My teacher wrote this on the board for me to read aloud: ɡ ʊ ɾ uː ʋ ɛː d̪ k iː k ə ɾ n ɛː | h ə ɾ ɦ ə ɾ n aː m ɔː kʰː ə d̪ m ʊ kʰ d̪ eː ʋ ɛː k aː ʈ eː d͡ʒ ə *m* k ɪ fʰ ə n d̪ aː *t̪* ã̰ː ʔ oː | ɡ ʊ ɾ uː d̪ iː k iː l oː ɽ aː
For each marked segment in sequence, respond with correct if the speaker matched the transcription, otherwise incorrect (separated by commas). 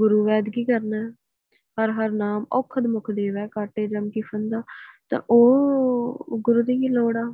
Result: correct, correct